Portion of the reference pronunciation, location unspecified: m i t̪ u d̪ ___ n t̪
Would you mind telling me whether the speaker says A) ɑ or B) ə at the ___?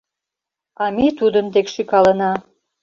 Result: B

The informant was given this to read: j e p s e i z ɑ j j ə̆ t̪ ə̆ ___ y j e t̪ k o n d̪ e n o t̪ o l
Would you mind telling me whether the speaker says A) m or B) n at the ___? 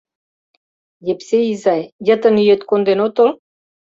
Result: B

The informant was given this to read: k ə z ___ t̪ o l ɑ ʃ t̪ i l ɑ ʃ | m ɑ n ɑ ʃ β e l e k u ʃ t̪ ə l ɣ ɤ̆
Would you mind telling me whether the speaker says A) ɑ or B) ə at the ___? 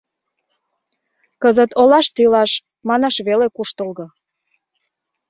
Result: B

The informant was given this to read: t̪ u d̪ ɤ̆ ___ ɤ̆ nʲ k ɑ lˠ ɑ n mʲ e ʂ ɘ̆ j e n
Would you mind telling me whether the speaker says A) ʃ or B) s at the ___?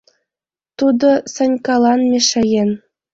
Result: B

